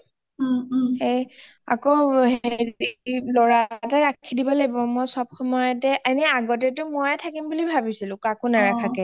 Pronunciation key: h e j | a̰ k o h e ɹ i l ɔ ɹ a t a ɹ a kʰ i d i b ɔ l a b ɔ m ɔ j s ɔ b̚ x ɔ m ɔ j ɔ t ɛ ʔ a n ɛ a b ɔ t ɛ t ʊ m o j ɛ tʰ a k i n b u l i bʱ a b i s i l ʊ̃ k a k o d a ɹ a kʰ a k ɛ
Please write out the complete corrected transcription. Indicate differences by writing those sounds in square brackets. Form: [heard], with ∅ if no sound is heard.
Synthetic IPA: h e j | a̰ k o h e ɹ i l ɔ ɹ a t a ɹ a kʰ i d i b ɔ l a b ɔ m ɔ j s ɔ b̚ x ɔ m ɔ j ɔ t ɛ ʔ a n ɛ a [ɡ] ɔ t ɛ t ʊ m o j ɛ tʰ a k i [m] b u l i bʱ a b i s i l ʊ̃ k a k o [n] a ɹ a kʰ a k ɛ